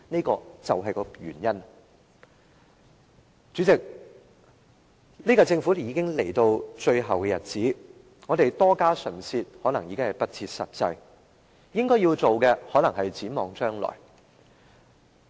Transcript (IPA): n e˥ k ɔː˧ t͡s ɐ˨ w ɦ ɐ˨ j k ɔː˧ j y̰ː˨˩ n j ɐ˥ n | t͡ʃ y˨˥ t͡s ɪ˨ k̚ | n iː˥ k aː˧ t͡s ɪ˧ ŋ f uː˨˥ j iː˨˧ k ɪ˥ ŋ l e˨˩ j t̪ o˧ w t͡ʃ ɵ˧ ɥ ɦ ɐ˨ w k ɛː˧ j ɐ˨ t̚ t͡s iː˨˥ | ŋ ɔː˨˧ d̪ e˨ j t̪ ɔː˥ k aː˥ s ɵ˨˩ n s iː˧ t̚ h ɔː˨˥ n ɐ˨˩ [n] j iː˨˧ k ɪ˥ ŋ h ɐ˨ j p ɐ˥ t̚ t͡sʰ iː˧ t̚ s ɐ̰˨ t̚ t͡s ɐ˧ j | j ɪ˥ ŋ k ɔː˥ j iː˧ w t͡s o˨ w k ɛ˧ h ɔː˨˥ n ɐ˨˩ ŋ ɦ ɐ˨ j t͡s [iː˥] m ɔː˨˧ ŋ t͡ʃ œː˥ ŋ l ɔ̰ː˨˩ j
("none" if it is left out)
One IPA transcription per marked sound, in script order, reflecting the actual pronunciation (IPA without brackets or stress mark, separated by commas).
ŋ, iː˨˥